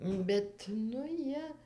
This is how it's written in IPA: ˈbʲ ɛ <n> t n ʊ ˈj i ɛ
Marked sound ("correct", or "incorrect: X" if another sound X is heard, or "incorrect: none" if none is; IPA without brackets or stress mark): incorrect: none